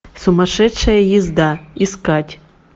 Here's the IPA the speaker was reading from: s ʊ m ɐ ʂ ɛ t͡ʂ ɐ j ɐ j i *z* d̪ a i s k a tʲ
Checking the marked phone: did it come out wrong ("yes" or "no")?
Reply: no